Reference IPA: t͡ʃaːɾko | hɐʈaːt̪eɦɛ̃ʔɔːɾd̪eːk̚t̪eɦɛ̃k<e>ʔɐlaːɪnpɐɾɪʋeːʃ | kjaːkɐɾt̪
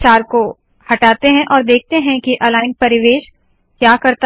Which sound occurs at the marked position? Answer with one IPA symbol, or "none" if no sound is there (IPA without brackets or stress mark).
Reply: i